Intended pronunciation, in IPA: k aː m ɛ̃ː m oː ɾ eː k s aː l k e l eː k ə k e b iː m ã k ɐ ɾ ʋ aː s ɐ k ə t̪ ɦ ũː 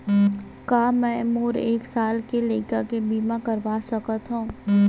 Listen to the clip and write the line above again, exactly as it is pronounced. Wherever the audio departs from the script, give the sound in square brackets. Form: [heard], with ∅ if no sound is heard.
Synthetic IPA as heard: k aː m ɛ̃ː m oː ɾ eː k s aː l k e l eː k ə k e b iː m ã k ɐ ɾ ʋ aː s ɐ k ə t̪ ɦ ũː